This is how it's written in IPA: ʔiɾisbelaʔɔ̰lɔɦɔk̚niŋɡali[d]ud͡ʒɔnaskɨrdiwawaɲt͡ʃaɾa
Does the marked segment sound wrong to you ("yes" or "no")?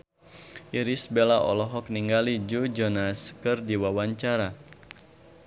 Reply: yes